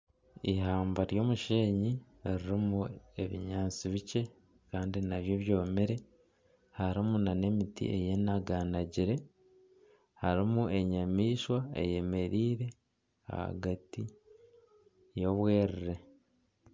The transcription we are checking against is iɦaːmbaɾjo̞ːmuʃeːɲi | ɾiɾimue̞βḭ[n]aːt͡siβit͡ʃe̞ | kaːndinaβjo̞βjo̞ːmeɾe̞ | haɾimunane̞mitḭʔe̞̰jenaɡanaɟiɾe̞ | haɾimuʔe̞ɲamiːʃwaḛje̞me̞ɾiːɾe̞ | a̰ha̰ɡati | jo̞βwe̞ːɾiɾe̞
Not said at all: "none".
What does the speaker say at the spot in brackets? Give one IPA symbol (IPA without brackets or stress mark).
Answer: ɲ